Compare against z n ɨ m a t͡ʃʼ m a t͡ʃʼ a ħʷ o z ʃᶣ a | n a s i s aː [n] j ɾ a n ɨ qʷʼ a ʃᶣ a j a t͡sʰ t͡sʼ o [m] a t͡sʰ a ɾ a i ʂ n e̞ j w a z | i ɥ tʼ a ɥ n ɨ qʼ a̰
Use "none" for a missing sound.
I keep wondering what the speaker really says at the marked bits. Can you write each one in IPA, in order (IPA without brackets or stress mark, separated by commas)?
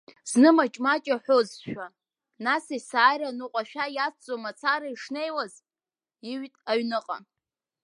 none, m